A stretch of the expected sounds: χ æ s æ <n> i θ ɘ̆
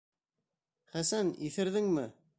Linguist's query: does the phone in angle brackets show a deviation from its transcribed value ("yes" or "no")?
no